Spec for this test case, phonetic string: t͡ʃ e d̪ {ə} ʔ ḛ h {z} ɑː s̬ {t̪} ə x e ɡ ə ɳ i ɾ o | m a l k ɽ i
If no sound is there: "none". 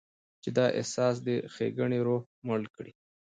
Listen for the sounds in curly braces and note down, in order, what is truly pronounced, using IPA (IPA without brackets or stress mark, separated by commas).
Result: ɑ, s, d̪